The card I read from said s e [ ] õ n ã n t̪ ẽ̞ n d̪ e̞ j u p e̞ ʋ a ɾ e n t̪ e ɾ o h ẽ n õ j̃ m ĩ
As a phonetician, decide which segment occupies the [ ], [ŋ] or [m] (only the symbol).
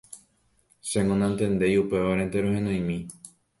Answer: ŋ